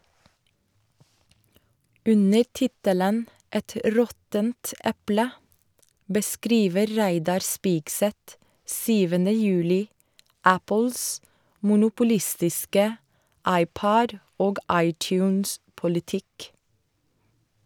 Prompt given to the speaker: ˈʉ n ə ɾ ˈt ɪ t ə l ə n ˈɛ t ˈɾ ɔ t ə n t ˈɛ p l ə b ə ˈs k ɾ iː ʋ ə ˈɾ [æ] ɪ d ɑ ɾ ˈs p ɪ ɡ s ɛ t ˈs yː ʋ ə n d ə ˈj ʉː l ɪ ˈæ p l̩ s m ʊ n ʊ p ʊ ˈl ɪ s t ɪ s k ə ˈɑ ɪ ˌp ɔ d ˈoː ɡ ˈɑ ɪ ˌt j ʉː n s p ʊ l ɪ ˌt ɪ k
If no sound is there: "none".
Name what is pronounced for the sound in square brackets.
æ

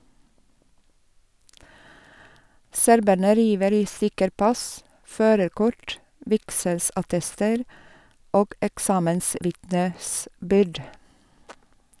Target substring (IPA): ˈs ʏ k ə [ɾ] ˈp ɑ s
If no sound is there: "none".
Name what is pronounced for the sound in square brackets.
ɾ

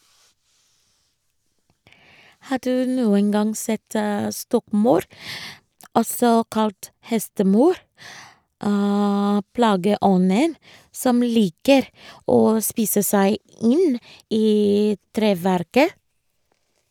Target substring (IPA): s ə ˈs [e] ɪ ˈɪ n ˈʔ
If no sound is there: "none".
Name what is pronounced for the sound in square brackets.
æ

